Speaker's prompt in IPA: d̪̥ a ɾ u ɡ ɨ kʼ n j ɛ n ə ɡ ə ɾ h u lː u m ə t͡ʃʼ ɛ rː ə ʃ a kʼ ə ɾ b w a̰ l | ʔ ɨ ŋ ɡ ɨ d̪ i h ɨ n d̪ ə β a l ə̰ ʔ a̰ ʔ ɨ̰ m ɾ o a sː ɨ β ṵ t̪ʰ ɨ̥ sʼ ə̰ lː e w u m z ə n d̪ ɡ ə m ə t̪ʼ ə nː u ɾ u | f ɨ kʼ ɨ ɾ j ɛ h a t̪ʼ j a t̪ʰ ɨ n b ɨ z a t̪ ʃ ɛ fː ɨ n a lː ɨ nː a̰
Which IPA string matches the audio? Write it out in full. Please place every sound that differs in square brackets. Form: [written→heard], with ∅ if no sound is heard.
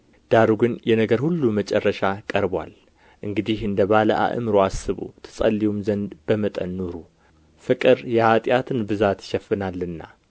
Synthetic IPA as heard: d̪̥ a ɾ u ɡ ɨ [kʼ→∅] n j ɛ n ə ɡ ə ɾ h u lː u m ə t͡ʃʼ ɛ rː ə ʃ a kʼ ə ɾ b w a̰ l | ʔ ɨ ŋ ɡ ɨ d̪ i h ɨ n d̪ ə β a l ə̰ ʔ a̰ ʔ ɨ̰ m ɾ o a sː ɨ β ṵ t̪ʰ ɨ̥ sʼ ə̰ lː [e→i] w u m z ə n d̪ [ɡ→b] ə m ə t̪ʼ ə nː u ɾ u | f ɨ kʼ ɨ ɾ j ɛ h a t̪ʼ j a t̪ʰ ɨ n b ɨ z a t̪ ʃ ɛ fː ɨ n a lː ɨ nː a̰